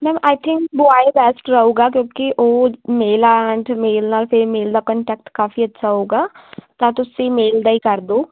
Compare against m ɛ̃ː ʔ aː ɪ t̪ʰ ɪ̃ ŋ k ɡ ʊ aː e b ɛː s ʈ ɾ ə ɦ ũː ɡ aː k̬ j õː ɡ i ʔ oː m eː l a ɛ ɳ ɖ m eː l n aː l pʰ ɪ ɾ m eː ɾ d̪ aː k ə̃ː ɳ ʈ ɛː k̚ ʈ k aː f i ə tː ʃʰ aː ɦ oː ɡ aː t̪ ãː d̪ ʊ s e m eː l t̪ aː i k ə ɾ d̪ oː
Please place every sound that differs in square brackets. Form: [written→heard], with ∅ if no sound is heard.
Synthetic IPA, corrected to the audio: m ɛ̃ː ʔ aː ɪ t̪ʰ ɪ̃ ŋ k [ɡ→b] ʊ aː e b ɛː s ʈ ɾ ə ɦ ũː ɡ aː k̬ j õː [ɡ→k] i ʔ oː m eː l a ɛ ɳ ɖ m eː l n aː l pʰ ɪ ɾ m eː [ɾ→l] d̪ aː k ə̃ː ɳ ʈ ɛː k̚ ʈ k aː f i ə tː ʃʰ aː ɦ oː ɡ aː t̪ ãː [d̪→t̪] ʊ s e m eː l [t̪→d̪] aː i k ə ɾ d̪ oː